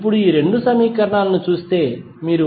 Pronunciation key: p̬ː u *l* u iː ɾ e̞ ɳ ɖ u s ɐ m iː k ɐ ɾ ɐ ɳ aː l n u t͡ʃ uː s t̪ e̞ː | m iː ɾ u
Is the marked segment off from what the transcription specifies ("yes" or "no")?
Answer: yes